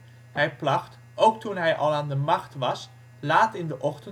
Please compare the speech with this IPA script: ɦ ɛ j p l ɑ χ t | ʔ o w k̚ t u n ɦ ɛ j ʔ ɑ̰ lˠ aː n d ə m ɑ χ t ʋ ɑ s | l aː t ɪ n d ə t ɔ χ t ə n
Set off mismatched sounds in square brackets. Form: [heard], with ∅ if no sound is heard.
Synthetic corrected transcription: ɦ ɛ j p l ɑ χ t | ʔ o w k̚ t u n ɦ ɛ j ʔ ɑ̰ lˠ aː n d ə m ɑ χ t ʋ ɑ s | l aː t ɪ n d ə [ʔ] ɔ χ t ə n